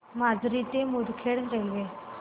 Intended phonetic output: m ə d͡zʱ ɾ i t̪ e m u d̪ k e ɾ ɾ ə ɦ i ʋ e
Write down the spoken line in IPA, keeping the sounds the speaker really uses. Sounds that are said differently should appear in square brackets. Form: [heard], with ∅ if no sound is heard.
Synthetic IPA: m [a] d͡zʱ ɾ i t̪ e m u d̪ [kʰ] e [ɽ] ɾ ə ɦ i ʋ e